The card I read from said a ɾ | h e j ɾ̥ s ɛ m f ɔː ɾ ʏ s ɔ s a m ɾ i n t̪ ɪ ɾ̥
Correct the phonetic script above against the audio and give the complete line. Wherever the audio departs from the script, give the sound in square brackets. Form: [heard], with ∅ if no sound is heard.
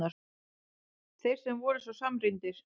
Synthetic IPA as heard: a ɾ | [θ] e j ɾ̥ s ɛ m [v] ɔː ɾ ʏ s ɔ s a m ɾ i n t̪ ɪ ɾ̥

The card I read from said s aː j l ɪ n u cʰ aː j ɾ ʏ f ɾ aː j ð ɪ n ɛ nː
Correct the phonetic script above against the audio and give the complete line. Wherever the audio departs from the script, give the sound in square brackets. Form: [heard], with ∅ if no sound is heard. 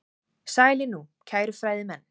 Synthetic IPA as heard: s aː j l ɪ n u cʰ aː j ɾ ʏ f ɾ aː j ð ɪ [m] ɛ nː

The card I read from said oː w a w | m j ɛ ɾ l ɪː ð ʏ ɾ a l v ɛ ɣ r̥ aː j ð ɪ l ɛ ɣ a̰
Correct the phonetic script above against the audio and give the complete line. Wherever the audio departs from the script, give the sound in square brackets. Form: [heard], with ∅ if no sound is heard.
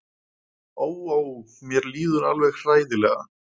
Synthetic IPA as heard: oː w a w | m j ɛ ɾ l [iː] ð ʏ ɾ a l v ɛ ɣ r̥ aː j ð ɪ l ɛ ɣ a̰

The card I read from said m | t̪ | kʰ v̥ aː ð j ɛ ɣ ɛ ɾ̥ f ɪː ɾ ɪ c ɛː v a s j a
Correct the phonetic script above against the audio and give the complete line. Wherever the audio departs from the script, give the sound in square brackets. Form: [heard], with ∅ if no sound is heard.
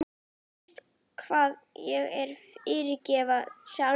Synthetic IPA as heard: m | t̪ | kʰ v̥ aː ð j ɛ ɣ ɛ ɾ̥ f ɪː ɾ ɪ c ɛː v a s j a

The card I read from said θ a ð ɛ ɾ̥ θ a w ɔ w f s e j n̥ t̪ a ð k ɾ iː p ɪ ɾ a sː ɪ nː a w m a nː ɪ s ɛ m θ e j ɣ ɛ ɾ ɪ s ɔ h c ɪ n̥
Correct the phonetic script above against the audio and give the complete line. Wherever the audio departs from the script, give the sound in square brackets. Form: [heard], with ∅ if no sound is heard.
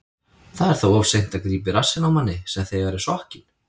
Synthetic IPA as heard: θ a ð ɛ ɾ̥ θ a w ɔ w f s e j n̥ t̪ a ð k ɾ iː p ɪ ɾ a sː ɪ [n] a w m a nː ɪ s ɛ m θ e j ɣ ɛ ɾ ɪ s ɔ h c ɪ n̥

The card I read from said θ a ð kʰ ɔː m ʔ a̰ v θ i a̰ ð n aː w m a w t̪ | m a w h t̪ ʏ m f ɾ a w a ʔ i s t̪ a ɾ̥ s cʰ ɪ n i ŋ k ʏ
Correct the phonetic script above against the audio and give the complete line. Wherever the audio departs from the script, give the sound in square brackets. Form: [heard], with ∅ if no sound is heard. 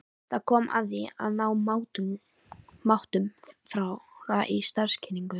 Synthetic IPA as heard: θ a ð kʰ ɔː m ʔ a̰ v [ð] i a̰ ð n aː w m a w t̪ | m a w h t̪ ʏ m f ɾ a w a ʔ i s t̪ a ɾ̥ s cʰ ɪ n i ŋ k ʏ

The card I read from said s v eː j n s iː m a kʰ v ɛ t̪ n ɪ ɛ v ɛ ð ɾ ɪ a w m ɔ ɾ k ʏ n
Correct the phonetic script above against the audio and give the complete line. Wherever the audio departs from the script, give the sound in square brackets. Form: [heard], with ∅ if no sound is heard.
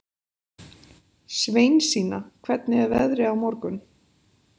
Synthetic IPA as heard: s v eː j n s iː [n] a kʰ v ɛ t̪ n ɪ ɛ v ɛ ð ɾ ɪ a w m ɔ ɾ k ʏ n

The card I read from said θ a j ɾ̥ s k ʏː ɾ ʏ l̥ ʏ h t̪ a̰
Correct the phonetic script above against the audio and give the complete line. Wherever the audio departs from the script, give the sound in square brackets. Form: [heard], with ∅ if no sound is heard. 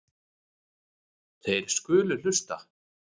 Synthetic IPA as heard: θ [e] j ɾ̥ s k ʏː [l] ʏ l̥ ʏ [s] t̪ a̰

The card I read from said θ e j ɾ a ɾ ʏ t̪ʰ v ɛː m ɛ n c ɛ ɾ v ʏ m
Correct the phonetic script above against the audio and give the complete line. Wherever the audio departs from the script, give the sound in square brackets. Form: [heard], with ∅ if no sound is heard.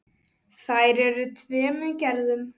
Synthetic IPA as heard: θ [a] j ɾ [ɛ] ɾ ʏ t̪ʰ v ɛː m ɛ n c ɛ ɾ [ð] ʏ m

